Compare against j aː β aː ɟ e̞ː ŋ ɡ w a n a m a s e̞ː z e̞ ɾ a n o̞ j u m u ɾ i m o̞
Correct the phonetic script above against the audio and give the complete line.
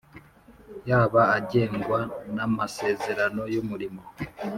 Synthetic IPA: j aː β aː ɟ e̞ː ŋ ɡ w a n a m a s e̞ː z e̞ ɾ a n o̞ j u m u ɾ i m o̞